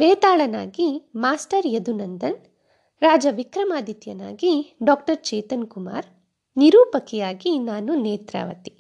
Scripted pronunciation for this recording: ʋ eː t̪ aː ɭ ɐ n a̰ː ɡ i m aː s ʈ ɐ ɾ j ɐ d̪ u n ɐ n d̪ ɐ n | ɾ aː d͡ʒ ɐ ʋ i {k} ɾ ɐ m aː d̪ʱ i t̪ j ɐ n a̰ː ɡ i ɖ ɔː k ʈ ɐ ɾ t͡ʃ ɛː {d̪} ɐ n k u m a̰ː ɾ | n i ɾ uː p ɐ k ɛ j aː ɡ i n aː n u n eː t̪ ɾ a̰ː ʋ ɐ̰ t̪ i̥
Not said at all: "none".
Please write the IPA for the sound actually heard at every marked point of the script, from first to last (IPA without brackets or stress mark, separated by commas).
k, t̪